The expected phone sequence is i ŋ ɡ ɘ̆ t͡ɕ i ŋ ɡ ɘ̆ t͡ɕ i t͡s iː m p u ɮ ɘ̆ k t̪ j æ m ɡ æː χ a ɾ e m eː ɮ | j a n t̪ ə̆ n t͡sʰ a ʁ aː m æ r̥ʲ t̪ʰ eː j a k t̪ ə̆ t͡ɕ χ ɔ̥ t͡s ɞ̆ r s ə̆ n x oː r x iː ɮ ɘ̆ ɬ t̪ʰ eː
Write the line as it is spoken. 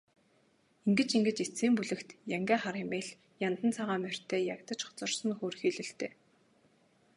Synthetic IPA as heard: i ŋ ɡ ɘ̆ t͡ɕ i ŋ ɡ ɘ̆ t͡ɕ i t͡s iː m p u ɮ ɘ̆ k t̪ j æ ŋ ɡ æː χ a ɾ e m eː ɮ | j a n t̪ ə̆ n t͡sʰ a ʁ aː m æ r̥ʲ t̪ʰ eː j a k t̪ ə̆ t͡ɕ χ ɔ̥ t͡s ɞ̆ r s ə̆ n x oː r x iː ɮ ɘ̆ ɬ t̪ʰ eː